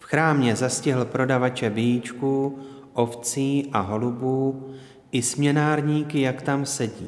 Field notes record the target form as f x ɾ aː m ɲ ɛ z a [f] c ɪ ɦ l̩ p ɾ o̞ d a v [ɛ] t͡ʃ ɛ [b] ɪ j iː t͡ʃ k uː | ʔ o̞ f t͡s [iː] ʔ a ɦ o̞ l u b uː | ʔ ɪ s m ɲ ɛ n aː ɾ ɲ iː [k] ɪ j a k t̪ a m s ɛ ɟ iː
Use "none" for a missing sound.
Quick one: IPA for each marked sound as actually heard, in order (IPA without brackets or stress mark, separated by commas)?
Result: s, a, b, iː, k